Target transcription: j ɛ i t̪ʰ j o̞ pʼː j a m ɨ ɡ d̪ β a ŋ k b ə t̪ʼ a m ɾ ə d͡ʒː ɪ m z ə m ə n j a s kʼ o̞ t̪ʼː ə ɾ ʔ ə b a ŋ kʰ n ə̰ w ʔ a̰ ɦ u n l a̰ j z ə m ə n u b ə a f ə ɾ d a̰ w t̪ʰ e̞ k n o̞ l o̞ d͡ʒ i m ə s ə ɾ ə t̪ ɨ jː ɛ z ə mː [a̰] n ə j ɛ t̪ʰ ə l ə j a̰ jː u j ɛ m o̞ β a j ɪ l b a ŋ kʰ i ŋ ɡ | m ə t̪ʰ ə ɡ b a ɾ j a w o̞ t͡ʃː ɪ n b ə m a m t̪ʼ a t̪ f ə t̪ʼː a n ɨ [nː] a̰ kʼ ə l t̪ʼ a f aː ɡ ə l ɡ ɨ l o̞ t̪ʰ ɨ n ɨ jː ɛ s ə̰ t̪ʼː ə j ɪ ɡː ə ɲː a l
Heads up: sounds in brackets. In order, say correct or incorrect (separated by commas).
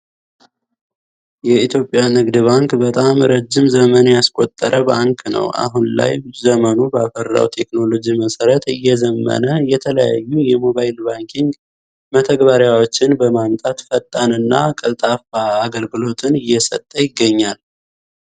incorrect, correct